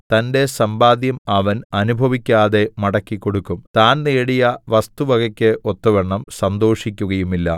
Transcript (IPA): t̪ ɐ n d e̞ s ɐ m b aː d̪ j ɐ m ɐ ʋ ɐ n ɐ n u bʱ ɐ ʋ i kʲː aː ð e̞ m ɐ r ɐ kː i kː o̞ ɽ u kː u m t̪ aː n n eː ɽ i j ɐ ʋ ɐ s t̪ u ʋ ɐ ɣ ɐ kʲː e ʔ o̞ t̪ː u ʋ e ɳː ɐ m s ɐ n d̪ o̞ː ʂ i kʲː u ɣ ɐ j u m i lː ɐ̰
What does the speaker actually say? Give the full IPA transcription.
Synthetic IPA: t̪ ɐ n d e̞ s ɐ m b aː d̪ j ɐ m ɐ ʋ ɐ n ɐ n u bʱ ɐ ʋ i kʲː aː ð e̞ m ɐ ɽ ɐ kː i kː o̞ ɽ u kː u m t̪ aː n n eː ɽ i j ɐ ʋ ɐ s t̪ u ʋ ɐ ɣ ɐ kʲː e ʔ o̞ t̪ː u ʋ e ɳː ɐ m s ɐ n d̪ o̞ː ʂ i kʲː u ɣ ɐ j u m i lː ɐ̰

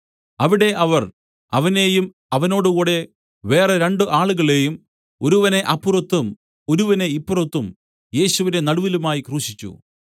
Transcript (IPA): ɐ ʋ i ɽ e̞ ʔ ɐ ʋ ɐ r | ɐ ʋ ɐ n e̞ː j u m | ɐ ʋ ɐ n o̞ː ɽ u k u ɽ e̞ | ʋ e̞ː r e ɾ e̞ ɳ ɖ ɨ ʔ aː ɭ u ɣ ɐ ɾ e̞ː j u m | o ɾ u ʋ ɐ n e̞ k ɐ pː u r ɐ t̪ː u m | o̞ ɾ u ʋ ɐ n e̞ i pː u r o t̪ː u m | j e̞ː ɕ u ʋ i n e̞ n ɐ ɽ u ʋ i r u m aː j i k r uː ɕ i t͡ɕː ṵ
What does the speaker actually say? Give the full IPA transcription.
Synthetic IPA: ɐ ʋ i ɽ e̞ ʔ ɐ ʋ ɐ r | ɐ ʋ ɐ n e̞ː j u m | ɐ ʋ ɐ n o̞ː ɽ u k uː ɽ e̞ | ʋ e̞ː r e ɾ e̞ ɳ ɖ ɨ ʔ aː ɭ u ɣ ɐ ɭ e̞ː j u m | o ɾ u ʋ ɐ n e̞ ʔ ɐ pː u r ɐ t̪ː u m | o̞ ɾ u ʋ ɐ n e̞ i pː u r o t̪ː u m | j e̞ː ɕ u ʋ i n e̞ n ɐ ɽ u ʋ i l u m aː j i k r uː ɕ i t͡ɕː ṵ

